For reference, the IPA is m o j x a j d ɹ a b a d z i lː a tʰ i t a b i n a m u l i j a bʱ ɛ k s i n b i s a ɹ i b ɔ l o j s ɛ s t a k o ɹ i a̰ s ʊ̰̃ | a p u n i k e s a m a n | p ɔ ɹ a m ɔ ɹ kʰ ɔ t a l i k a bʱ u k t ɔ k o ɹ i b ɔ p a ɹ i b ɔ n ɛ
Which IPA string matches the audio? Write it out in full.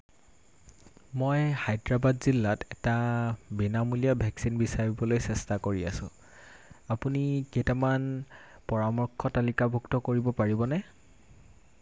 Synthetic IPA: m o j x a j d ɹ a b a d z i lː a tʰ ɛ t a b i n a m u l i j a bʱ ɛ k s i n b i s a ɹ i b ɔ l o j s ɛ s t a k o ɹ i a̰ s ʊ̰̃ | a p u n i k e t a m a n | p ɔ ɹ a m ɔ ɹ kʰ ɔ t a l i k a bʱ u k t ɔ k o ɹ i b ɔ p a ɹ i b ɔ n ɛ